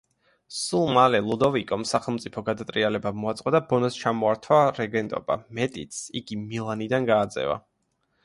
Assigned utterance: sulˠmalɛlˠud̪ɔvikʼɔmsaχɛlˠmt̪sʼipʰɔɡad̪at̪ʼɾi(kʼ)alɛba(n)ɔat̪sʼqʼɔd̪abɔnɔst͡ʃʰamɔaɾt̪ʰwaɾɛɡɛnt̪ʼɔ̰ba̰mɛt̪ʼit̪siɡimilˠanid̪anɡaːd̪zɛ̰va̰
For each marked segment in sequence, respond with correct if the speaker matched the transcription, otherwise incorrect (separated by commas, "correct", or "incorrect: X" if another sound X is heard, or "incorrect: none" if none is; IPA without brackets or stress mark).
incorrect: none, incorrect: m